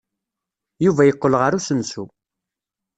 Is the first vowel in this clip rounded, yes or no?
yes